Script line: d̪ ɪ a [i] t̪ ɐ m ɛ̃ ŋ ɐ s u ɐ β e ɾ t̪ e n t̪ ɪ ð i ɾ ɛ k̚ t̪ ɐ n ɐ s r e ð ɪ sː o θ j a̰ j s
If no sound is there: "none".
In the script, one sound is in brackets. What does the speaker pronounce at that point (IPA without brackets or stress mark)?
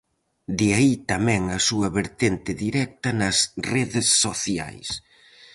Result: i